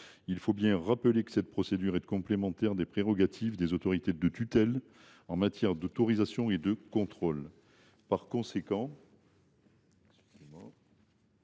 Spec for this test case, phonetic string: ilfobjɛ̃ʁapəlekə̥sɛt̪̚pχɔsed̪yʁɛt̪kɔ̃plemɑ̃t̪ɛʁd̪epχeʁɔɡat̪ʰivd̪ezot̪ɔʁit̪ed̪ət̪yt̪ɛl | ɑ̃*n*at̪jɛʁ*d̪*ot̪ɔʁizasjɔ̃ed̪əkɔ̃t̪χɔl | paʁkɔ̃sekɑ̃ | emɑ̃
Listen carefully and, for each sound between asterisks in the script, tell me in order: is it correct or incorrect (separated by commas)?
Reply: incorrect, correct